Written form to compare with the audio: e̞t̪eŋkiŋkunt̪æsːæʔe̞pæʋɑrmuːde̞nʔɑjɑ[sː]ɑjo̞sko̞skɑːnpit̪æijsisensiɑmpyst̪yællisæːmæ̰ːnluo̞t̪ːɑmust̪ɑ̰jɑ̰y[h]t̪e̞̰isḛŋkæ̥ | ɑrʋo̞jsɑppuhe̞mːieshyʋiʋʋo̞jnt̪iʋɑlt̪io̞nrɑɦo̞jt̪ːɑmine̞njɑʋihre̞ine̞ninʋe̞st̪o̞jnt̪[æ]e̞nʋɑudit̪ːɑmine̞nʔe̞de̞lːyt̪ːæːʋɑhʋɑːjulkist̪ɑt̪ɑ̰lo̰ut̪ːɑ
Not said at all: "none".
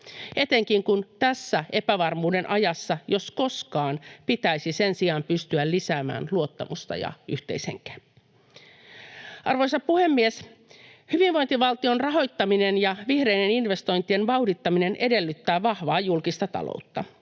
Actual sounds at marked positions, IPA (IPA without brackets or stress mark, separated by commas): sː, h, i